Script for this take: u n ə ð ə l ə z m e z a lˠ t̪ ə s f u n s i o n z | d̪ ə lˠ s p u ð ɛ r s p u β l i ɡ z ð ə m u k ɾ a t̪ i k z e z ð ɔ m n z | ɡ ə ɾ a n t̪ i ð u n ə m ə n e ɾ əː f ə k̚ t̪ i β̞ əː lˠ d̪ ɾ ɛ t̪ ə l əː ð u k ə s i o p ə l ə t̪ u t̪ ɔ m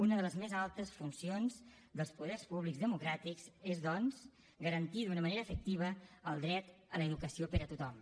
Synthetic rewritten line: u n ə ð ə l ə z m e z a lˠ t̪ ə s f u n s i o n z | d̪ ə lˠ s p u ð ɛ r s p u β l i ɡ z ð ə m u k ɾ a t̪ i k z e z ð ɔ n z | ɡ ə ɾ ə n t̪ i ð u n ə m ə n e ɾ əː f ə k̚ t̪ i β̞ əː lˠ d̪ ɾ ɛ t̪ ə l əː ð u k ə s i o p ə ɾ ə t̪ u t̪ ɔ m